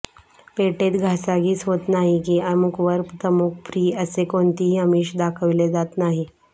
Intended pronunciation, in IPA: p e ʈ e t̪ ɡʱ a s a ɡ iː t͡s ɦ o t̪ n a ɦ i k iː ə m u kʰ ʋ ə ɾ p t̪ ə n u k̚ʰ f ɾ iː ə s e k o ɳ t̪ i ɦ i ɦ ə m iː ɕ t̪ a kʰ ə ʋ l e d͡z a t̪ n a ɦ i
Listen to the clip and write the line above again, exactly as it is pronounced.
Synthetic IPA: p e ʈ e t̪ ɡʱ a s a ɡ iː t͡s ɦ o t̪ n a ɦ i k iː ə m u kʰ ʋ ə ɾ p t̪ ə m u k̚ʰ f ɾ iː ə s e k o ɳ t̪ i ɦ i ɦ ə m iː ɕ d̪ a kʰ ə ʋ l e d͡z a t̪ n a ɦ i